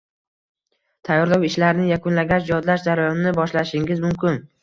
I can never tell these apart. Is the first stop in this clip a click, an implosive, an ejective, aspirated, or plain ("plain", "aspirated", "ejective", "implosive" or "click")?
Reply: aspirated